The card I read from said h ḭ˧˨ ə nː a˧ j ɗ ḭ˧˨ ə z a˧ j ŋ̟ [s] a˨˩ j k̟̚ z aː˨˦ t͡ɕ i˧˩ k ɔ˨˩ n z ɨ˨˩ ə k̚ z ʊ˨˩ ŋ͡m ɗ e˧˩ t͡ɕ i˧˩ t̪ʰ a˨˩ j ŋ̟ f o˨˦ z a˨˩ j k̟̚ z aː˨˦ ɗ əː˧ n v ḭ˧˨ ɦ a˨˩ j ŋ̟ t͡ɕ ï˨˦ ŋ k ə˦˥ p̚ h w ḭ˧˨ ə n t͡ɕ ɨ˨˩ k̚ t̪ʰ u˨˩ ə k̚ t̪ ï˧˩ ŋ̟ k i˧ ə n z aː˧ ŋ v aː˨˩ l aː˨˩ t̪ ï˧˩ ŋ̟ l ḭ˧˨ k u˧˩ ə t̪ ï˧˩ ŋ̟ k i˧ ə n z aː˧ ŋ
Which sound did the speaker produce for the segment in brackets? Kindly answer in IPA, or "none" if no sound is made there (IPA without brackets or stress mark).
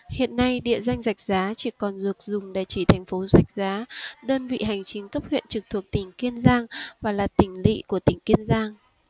z